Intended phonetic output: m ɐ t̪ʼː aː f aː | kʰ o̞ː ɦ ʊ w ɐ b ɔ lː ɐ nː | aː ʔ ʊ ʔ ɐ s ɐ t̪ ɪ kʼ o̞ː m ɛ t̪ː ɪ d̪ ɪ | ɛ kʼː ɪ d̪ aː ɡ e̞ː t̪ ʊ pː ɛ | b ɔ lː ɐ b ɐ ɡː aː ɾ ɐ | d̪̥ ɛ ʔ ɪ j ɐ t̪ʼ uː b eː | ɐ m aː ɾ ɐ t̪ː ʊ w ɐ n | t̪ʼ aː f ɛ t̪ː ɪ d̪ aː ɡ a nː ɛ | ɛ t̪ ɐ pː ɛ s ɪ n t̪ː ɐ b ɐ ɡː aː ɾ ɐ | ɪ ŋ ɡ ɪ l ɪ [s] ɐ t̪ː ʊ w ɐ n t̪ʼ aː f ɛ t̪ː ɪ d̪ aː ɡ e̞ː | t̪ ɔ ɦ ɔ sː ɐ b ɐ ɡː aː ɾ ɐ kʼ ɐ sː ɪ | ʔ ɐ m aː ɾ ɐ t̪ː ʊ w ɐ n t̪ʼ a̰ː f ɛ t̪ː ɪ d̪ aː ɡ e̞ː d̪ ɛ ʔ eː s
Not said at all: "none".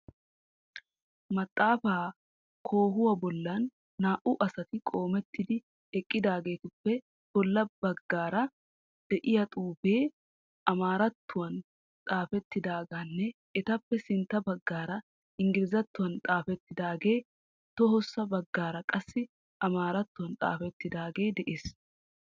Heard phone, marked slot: z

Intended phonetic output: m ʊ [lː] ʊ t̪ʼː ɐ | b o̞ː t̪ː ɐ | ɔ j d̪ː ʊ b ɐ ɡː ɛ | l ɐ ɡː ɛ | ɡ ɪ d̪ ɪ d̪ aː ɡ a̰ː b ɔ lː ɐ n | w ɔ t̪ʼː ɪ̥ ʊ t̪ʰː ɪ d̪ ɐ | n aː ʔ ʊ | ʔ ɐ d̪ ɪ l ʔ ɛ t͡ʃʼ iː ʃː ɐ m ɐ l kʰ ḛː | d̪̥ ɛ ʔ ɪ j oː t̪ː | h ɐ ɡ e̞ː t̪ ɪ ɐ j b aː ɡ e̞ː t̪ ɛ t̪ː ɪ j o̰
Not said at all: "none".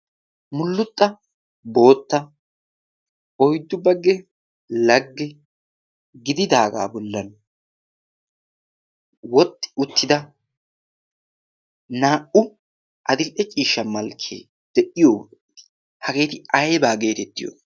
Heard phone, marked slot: lː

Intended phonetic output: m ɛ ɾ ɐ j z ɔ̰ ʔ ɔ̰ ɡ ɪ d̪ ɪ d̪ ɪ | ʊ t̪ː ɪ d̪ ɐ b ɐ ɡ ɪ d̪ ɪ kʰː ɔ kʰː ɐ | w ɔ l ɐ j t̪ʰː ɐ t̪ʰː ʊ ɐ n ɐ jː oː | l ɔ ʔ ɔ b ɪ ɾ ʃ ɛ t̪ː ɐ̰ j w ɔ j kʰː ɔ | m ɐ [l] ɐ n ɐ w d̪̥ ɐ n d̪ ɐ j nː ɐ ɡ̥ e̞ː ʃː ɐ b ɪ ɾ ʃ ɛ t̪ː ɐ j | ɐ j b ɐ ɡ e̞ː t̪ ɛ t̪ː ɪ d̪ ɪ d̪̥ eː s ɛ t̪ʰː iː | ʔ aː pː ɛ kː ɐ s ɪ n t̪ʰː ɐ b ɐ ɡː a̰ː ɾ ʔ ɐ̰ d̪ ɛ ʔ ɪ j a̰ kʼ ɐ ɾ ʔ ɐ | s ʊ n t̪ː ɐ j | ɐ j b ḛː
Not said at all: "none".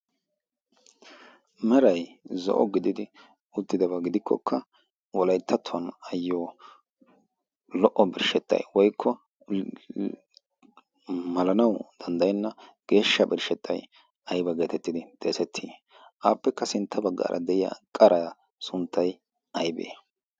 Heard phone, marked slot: l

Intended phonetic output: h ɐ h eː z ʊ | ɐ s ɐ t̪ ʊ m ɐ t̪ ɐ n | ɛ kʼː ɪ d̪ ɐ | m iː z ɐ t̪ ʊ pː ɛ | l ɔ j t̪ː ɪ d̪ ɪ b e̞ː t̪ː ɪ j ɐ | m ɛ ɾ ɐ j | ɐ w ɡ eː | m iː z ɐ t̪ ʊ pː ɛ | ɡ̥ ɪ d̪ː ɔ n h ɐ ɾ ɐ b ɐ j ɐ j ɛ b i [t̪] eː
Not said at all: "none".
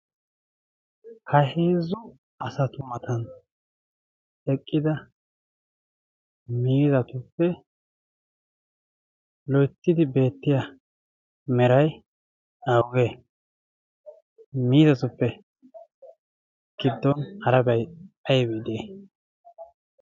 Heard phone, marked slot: d̪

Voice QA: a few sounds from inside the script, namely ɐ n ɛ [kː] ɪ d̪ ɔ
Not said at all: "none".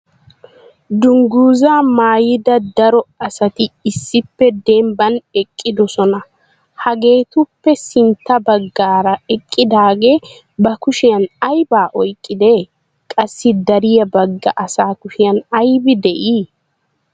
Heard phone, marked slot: kʼː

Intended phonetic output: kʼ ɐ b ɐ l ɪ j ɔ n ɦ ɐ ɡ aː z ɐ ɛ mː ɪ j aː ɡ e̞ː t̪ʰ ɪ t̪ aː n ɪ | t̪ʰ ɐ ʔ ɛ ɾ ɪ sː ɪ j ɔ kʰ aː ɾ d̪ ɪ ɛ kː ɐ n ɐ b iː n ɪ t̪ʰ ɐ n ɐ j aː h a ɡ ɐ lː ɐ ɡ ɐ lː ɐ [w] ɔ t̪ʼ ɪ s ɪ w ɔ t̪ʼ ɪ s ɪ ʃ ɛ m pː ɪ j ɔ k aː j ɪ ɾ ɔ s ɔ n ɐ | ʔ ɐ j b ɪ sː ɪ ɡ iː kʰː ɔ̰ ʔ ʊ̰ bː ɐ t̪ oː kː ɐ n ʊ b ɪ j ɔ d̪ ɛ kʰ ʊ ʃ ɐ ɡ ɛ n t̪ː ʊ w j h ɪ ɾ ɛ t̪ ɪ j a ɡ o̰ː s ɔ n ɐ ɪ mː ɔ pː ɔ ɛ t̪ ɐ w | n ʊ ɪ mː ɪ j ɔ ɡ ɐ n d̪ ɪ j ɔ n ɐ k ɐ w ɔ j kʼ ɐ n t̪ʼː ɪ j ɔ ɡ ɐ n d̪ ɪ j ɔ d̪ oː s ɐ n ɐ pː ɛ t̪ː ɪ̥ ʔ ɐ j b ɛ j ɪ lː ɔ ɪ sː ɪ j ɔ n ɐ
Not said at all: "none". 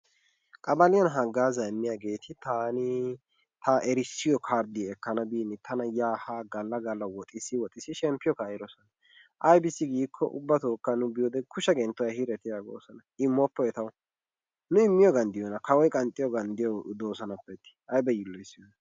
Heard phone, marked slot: w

